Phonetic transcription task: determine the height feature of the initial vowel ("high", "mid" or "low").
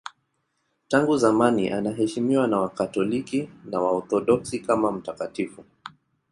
low